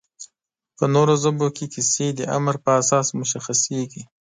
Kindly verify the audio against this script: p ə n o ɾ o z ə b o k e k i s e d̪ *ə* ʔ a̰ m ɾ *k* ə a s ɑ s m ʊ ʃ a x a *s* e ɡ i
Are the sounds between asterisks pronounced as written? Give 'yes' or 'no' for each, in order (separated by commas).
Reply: yes, no, yes